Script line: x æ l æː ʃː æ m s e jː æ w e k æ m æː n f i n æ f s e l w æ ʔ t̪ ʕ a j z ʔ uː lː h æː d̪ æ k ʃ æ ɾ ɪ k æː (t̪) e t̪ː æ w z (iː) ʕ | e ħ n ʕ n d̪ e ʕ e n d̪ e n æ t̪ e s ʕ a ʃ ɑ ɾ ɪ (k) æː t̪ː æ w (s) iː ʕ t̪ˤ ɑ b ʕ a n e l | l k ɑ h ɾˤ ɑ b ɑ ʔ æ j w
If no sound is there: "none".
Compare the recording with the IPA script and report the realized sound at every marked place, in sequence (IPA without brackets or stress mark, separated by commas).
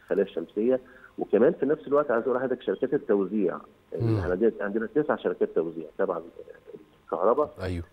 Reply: t̪, iː, k, z